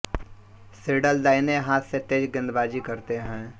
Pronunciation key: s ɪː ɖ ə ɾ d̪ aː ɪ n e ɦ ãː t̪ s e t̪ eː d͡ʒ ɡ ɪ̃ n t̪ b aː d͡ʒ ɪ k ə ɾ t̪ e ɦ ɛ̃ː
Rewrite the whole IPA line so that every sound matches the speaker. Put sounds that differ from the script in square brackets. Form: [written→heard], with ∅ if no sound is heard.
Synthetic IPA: s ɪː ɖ ə [ɾ→l] d̪ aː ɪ n e ɦ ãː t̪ s e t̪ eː d͡ʒ ɡ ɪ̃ n [t̪→d̪] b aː d͡ʒ [ɪ→i] k ə ɾ t̪ e ɦ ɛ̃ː